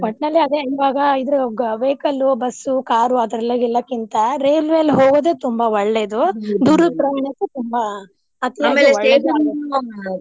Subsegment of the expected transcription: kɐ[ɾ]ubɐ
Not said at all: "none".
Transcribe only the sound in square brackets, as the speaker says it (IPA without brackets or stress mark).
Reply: l